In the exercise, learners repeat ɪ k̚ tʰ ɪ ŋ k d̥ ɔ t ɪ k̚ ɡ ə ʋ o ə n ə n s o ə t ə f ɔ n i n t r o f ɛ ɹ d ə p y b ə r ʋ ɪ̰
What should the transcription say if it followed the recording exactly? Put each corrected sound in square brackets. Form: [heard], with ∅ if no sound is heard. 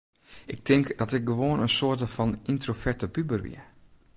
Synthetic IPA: ɪ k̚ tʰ ɪ ŋ k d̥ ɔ t ɪ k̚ ɡ ə ʋ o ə n ə n s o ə t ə f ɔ n i n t r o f ɛ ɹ [t] ə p y b ə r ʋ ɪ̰